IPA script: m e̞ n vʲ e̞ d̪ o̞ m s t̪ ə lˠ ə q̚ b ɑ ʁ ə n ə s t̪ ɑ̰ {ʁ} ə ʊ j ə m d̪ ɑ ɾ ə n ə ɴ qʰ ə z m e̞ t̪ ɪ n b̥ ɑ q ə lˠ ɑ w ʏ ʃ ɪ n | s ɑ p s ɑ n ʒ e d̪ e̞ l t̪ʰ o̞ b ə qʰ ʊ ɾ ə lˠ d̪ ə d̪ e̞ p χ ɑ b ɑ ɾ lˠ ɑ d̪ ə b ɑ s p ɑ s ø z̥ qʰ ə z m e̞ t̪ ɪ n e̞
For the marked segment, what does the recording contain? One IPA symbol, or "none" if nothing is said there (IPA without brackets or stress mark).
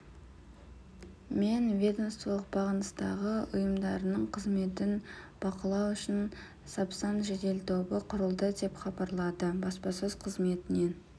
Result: ʁ